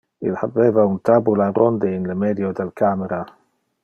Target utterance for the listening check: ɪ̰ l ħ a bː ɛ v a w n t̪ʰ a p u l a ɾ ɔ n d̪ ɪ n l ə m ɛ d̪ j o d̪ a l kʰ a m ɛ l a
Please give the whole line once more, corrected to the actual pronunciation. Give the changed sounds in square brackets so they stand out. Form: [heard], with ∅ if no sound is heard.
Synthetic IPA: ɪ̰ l ħ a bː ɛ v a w n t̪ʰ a [b] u l a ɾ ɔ n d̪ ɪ n l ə m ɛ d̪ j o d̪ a l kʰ a m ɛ [ɾ] a